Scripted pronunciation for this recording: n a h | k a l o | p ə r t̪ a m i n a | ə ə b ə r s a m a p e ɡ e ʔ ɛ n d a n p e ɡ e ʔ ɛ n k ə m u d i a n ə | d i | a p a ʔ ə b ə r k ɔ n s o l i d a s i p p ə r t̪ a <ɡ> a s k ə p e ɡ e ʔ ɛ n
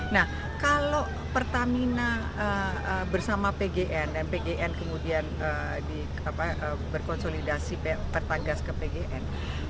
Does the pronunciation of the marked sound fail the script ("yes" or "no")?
no